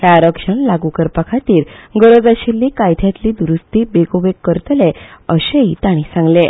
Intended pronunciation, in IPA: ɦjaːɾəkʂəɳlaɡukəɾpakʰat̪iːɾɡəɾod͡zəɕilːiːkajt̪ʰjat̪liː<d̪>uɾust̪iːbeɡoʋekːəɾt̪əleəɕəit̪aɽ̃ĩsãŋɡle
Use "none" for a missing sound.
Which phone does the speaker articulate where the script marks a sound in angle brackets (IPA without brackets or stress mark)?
d̪